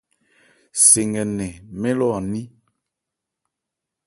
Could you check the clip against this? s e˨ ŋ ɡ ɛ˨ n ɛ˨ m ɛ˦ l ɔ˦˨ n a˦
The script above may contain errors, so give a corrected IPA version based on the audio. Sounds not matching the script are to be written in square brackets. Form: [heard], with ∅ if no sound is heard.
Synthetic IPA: s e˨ ŋ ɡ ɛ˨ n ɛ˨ m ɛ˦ l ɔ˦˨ n [i˦]